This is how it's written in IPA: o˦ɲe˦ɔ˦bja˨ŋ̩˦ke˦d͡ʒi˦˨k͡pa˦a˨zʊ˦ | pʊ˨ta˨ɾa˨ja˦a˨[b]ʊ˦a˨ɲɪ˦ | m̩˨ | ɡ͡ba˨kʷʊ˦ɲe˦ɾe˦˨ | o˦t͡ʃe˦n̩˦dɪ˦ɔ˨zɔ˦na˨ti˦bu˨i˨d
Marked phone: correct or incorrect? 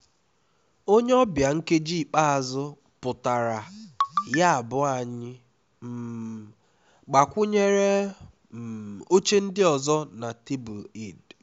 correct